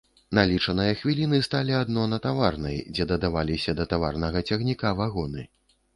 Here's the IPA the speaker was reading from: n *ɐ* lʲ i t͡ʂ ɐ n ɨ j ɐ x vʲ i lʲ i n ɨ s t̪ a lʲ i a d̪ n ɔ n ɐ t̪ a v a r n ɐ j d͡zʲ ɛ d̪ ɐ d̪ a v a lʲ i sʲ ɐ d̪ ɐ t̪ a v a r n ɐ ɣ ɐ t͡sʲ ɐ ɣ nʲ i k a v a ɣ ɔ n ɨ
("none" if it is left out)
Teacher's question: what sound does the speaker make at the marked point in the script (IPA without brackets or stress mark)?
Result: a